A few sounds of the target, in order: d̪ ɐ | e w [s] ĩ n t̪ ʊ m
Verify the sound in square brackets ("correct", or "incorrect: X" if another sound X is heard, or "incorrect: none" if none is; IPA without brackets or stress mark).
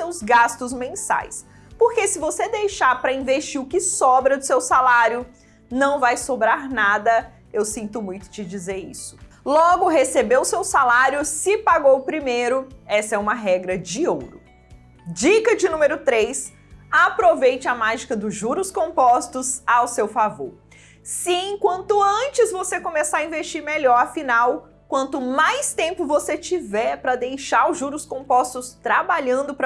correct